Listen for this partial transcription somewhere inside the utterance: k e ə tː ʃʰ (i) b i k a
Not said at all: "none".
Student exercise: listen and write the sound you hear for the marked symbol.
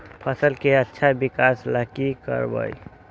a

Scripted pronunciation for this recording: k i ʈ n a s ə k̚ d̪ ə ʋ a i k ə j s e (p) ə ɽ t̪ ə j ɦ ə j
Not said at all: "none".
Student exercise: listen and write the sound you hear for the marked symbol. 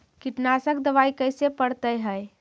p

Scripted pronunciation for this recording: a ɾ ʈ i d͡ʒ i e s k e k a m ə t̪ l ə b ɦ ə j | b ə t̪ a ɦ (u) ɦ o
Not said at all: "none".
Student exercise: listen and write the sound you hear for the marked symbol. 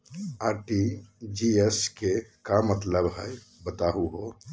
u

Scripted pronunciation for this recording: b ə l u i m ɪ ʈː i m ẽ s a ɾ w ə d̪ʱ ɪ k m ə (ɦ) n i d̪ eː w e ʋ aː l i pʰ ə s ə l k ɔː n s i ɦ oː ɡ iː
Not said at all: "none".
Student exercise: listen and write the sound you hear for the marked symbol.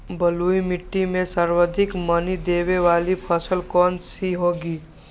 none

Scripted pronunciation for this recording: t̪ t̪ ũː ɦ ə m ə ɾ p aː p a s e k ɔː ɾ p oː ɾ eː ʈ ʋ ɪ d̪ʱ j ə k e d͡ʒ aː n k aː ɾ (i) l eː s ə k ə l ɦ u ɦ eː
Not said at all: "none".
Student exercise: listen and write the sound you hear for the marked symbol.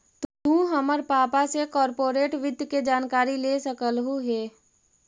i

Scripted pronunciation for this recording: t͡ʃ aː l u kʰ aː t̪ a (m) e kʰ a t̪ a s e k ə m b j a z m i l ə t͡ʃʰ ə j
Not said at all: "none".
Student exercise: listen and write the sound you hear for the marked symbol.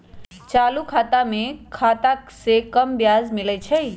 m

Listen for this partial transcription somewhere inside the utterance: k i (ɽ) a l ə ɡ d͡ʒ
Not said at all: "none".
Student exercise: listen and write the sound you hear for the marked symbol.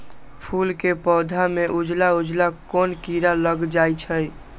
ɾ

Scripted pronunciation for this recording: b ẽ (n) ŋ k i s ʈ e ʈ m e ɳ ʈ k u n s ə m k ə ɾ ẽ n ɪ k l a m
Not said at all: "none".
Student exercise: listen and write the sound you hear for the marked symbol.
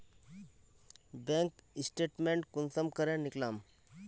none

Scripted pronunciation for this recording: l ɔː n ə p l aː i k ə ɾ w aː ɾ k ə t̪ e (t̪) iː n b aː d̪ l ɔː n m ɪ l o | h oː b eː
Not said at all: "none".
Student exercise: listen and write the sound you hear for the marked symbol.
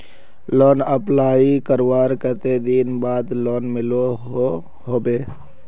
d̪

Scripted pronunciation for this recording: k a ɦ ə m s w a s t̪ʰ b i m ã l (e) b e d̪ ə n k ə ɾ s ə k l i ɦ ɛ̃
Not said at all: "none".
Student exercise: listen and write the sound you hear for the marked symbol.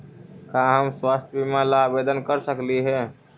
a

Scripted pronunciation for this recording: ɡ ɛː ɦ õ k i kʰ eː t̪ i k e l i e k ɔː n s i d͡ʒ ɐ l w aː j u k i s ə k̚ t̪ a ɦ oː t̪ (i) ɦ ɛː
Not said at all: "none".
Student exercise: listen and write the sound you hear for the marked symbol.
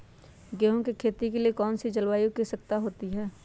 i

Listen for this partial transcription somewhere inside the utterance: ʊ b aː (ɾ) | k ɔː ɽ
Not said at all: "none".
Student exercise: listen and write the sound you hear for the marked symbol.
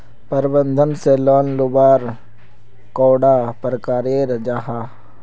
ɾ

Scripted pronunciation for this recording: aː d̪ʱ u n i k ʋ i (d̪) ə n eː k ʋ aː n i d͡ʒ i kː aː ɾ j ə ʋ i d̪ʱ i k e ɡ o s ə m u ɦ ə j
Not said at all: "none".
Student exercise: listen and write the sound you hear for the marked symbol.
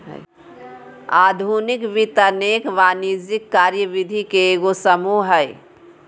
t̪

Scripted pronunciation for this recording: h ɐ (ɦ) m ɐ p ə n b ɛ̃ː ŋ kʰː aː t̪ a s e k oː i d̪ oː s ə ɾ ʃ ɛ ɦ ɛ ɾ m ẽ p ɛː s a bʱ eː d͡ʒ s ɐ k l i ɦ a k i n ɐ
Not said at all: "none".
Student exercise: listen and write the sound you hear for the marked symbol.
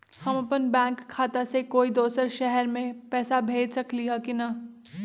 none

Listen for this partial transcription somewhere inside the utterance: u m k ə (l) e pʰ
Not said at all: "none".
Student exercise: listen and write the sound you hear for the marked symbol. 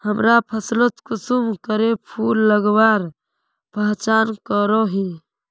ɾ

